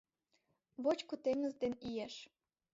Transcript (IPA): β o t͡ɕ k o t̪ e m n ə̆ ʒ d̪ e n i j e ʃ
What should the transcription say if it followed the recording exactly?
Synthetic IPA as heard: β o t͡ɕ k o t̪ e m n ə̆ z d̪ e n i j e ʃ